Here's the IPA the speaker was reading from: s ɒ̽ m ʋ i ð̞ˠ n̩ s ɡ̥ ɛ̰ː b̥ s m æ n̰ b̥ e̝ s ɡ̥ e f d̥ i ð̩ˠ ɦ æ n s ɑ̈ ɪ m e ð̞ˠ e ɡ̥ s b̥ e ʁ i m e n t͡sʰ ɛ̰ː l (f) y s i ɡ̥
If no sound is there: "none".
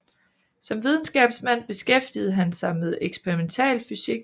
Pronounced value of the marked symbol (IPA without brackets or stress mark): f